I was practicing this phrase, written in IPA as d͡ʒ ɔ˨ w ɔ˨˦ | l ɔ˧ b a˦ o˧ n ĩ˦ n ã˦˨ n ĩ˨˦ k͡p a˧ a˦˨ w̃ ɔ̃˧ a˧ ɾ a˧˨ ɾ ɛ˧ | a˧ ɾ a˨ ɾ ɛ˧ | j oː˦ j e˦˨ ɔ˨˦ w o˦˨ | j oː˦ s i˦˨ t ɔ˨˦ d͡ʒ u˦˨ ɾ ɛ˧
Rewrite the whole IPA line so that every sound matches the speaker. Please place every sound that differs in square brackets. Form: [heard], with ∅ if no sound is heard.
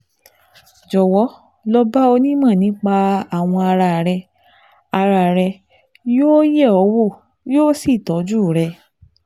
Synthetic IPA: d͡ʒ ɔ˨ w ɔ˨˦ | l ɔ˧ b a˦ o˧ n ĩ˦ [m] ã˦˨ n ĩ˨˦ k͡p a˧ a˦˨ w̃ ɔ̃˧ a˧ ɾ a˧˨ ɾ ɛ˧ | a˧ ɾ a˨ ɾ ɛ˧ | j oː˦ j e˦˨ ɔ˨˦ w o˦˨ | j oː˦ s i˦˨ t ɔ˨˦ d͡ʒ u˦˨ ɾ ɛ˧